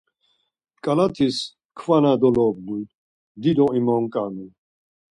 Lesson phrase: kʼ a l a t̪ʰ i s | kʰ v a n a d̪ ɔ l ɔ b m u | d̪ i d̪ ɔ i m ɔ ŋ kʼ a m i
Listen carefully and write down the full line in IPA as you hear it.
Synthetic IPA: kʼ a l a t̪ʰ i s | kʰ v a n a d̪ ɔ l ɔ b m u | d̪ i d̪ ɔ i m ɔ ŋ kʼ a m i